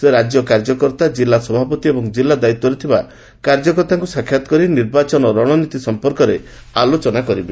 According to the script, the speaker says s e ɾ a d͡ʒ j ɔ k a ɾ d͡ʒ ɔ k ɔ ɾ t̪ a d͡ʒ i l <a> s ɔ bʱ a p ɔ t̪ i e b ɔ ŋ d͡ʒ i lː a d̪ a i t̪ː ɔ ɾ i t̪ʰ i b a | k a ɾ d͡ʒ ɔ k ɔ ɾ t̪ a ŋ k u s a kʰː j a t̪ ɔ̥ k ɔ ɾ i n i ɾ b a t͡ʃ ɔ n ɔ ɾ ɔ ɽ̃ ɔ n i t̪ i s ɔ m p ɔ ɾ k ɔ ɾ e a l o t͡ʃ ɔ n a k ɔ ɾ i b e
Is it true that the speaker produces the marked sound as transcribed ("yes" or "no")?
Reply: yes